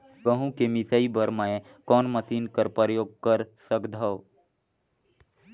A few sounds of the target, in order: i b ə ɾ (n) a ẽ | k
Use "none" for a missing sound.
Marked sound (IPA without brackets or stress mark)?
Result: m